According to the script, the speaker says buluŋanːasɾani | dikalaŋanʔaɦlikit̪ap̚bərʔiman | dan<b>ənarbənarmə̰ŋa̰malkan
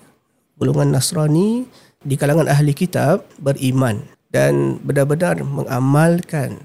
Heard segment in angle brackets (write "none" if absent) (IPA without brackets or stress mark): b